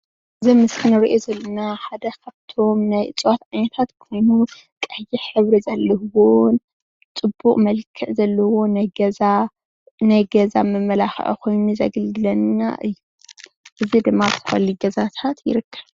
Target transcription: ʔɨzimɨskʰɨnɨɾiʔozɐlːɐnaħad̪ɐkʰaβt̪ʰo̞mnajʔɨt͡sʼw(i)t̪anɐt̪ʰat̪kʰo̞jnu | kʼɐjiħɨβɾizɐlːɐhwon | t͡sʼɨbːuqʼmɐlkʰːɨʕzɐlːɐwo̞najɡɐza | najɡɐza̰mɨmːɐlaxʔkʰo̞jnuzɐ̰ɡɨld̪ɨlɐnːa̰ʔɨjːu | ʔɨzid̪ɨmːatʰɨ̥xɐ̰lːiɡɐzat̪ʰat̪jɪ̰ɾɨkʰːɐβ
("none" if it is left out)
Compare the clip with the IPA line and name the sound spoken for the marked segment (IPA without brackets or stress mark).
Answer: a